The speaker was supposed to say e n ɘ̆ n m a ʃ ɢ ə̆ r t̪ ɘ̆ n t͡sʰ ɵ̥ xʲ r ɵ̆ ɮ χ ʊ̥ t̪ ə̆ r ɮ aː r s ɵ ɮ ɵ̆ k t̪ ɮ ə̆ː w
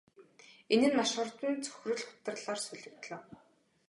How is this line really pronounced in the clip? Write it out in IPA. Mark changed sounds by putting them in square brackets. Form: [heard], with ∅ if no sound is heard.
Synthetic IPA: e n ɘ̆ n m a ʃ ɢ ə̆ r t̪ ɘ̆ n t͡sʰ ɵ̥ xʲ r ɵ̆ ɮ χ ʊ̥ t̪ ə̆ r ɮ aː r s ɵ ɮ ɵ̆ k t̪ ɮ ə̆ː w